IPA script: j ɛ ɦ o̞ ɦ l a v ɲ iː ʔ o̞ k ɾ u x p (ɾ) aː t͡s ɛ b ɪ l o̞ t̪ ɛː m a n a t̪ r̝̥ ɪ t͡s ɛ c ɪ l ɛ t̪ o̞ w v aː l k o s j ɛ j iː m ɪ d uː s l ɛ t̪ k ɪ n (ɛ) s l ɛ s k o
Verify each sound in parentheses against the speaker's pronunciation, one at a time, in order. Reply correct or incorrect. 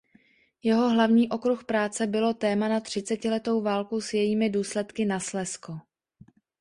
correct, incorrect: a

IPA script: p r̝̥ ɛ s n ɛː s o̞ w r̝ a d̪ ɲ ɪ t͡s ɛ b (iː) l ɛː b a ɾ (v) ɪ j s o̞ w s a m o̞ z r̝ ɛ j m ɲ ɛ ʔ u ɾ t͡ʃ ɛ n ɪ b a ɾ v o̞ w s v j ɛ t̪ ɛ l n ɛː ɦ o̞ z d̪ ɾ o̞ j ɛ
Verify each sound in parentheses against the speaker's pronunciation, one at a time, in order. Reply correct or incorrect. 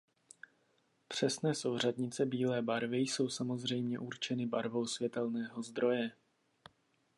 correct, correct

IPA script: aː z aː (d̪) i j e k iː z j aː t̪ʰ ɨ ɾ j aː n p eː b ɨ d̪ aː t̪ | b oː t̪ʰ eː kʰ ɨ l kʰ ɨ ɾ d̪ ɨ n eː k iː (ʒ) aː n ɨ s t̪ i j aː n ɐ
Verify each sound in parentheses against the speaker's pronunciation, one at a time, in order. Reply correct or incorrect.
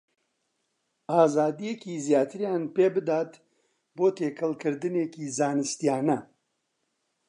correct, incorrect: z

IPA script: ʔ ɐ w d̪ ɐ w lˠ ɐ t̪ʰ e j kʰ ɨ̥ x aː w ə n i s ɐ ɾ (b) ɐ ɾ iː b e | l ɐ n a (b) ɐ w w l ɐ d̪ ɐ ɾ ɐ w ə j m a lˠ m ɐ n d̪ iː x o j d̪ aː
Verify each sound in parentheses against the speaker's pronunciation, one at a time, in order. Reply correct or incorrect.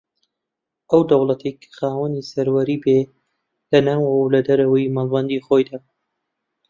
incorrect: w, incorrect: w

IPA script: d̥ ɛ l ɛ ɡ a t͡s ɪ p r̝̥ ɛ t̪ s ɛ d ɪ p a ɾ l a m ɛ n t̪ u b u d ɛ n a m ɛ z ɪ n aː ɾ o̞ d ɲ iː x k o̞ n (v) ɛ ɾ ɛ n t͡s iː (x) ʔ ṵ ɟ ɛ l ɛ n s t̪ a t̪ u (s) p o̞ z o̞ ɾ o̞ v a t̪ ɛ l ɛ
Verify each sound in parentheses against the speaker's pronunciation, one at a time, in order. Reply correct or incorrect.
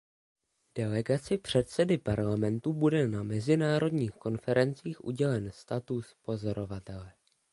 incorrect: f, correct, correct

